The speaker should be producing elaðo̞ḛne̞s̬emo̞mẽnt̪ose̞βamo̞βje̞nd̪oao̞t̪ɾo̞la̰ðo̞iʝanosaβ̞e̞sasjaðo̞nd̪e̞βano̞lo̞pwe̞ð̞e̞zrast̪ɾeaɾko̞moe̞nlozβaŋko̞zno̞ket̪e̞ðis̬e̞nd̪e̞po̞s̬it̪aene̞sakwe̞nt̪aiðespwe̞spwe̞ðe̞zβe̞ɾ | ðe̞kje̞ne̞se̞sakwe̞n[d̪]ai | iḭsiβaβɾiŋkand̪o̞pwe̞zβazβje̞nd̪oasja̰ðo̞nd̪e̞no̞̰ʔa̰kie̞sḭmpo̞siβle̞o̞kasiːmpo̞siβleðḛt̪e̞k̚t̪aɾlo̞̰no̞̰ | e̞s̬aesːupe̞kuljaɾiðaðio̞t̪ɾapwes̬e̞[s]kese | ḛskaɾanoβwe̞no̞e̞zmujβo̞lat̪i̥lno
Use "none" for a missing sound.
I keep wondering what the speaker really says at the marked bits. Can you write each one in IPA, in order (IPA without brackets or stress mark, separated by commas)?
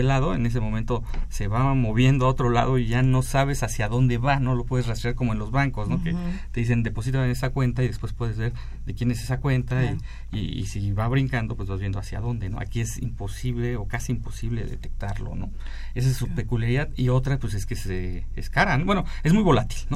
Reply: t̪, s